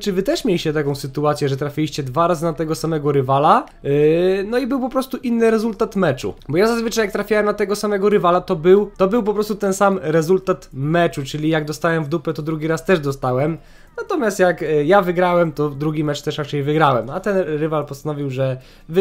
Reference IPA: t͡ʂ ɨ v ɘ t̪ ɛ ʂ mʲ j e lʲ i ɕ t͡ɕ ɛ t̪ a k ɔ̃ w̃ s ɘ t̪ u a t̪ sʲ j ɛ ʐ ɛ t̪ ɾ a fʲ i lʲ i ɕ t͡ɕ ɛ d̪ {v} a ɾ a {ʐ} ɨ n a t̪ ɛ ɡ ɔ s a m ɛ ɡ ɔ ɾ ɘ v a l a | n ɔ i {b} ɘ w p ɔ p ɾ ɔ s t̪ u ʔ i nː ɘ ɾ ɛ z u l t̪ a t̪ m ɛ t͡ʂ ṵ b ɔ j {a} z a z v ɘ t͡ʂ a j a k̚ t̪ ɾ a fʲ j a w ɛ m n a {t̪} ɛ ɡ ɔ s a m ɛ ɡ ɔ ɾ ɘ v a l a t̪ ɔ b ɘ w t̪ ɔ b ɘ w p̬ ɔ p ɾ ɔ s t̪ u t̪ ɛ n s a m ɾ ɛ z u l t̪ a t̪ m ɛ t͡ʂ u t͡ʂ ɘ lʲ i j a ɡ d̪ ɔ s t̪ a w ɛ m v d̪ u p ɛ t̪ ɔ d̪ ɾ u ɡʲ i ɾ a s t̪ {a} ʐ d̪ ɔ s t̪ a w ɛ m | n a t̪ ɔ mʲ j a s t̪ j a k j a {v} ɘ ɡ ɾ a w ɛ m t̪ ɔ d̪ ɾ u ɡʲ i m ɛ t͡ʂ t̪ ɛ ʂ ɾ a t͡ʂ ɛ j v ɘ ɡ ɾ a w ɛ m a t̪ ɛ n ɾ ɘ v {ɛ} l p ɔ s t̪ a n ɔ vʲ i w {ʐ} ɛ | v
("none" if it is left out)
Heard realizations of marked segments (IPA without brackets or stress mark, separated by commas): v, z, b, a, t̪, ɛ, v, a, ʐ